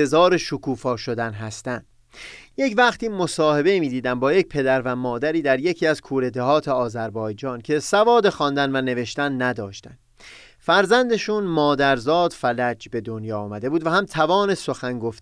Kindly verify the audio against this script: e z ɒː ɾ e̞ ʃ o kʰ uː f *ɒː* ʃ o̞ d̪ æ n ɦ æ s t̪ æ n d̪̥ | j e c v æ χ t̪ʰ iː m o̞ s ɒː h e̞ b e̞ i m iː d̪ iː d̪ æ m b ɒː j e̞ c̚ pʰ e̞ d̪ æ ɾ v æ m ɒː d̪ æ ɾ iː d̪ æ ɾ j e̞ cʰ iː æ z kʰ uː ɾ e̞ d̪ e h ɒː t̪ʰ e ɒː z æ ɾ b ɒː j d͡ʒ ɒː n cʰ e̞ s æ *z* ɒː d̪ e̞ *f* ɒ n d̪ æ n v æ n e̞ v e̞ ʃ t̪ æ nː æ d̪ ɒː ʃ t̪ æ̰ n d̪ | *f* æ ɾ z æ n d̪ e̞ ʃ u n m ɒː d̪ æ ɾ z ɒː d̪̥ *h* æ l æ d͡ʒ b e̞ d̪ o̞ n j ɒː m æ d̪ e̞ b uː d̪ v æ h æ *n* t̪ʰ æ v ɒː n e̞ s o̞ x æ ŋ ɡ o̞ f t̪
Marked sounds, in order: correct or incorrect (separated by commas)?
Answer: correct, incorrect, incorrect, correct, incorrect, incorrect